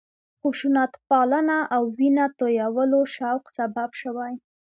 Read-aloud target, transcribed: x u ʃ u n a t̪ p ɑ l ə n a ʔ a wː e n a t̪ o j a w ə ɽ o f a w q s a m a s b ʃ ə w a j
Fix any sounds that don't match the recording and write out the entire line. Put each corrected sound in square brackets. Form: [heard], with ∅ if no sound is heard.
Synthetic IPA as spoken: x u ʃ u n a t̪ p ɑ l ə n a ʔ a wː [i] n a t̪ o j a w ə [l] o [ʃ] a w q s a [b] a [∅] b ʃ ə w a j